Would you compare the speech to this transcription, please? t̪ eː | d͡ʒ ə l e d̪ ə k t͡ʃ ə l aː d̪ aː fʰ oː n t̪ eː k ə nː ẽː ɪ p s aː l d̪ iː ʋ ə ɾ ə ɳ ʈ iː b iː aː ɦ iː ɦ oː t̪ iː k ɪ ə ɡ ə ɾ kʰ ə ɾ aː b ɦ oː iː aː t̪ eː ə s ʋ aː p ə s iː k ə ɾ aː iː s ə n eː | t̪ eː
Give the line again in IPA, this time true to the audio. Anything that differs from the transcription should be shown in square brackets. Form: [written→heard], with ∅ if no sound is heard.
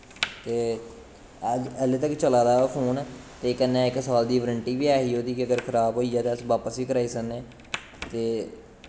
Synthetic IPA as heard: t̪ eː | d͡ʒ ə l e [d̪→t̪] ə k t͡ʃ ə l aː d̪ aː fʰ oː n t̪ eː k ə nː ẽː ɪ [p→k] s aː l d̪ iː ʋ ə ɾ ə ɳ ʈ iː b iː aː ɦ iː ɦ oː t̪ iː k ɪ ə ɡ ə ɾ kʰ ə ɾ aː b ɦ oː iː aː t̪ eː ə s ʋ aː p ə s iː k ə ɾ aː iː s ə n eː | t̪ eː